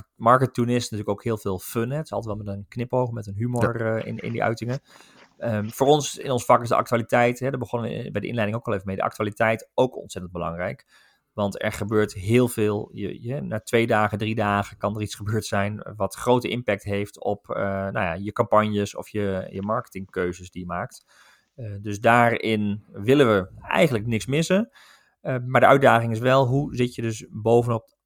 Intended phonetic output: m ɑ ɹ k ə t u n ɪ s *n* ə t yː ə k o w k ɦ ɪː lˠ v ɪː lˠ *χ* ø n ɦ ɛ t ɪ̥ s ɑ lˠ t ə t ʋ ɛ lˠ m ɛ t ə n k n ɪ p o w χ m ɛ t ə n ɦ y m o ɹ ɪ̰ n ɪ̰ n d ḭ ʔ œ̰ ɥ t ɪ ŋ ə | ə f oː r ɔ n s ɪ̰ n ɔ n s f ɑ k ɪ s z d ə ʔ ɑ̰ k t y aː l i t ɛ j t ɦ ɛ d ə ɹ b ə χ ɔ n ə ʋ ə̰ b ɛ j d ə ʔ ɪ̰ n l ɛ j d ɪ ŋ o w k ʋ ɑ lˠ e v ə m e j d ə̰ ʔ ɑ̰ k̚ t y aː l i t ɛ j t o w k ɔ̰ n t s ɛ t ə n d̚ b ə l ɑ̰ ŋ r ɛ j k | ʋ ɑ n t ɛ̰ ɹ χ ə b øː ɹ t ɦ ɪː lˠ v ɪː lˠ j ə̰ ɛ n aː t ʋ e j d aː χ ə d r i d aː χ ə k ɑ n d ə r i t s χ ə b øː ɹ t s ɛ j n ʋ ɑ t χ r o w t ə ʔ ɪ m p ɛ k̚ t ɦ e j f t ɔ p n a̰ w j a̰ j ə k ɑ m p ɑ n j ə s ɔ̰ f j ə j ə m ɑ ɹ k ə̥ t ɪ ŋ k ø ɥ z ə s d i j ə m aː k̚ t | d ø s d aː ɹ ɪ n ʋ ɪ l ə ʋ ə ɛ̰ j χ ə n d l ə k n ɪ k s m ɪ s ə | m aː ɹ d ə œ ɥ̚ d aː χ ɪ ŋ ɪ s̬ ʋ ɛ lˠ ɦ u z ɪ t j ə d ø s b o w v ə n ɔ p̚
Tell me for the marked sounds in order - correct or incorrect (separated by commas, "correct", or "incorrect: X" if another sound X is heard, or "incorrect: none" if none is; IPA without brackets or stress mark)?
correct, incorrect: f